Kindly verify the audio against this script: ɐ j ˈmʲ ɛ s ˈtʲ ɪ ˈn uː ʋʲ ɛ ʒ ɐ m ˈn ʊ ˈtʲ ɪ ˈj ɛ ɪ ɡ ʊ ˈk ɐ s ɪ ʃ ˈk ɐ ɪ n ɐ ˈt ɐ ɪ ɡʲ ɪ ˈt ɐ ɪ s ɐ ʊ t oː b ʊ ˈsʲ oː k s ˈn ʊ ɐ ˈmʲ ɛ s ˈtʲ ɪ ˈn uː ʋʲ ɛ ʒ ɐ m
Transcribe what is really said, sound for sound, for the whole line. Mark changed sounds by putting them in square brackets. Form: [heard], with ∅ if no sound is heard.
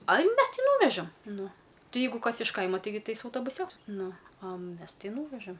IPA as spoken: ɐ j ˈmʲ ɛ s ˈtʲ ɪ ˈn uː ʋʲ ɛ ʒ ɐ m ˈn ʊ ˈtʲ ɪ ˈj ɛ ɪ ɡ ʊ ˈk ɐ s ɪ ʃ ˈk ɐ ɪ [m] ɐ ˈt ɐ ɪ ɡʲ ɪ ˈt ɐ ɪ s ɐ ʊ t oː b ʊ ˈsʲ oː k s ˈn ʊ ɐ ˈmʲ ɛ s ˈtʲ ɪ ˈn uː ʋʲ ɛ ʒ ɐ m